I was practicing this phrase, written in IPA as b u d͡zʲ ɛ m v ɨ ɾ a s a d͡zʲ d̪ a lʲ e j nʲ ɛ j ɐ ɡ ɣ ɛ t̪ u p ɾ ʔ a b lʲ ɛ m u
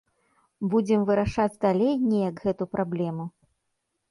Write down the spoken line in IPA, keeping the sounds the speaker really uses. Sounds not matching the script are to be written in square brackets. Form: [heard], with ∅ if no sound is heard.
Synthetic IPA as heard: b u d͡zʲ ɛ m v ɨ ɾ a [ʂ] a d͡zʲ d̪ a lʲ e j nʲ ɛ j ɐ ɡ ɣ ɛ t̪ u p ɾ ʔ a b lʲ ɛ m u